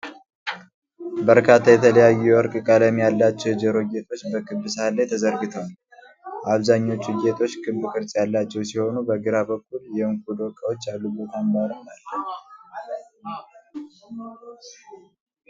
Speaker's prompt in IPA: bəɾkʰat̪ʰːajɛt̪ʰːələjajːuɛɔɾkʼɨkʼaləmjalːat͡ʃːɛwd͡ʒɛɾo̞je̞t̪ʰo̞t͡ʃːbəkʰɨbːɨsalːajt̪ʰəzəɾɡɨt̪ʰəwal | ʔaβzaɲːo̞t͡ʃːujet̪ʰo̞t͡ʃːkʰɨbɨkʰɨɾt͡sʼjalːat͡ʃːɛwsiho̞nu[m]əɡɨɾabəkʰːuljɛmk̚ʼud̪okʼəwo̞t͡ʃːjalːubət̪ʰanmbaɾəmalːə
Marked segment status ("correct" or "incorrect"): incorrect